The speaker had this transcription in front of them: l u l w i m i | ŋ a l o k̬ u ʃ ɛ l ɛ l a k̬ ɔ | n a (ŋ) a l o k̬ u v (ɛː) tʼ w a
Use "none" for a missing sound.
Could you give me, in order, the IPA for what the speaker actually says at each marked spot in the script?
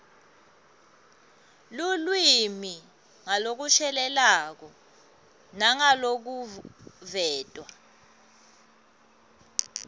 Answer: ŋ, ɛː

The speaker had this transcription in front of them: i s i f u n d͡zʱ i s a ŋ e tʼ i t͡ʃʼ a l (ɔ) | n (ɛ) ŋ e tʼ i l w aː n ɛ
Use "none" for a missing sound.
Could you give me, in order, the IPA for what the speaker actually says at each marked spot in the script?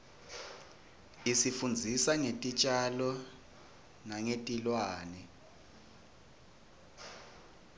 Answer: ɔ, a

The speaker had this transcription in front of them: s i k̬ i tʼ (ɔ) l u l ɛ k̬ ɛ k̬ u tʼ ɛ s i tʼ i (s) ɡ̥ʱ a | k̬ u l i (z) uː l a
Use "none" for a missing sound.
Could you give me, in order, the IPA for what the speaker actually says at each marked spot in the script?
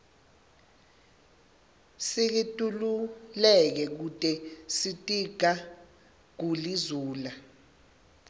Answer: u, none, z

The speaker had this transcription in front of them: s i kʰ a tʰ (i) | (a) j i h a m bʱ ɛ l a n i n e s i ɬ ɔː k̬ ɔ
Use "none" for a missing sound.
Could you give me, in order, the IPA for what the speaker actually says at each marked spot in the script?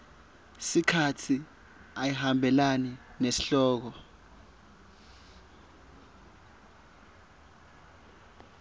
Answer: i, a

